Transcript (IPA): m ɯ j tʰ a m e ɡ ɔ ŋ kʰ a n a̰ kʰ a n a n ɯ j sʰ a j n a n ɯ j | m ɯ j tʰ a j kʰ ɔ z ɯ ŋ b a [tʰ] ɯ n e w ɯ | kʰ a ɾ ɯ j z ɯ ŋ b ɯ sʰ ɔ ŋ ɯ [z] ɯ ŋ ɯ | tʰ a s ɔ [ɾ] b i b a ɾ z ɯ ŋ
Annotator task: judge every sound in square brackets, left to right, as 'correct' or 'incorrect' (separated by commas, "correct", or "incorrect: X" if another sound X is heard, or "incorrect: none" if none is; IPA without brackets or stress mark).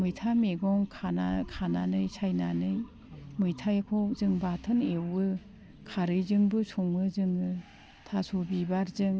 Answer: correct, correct, incorrect: none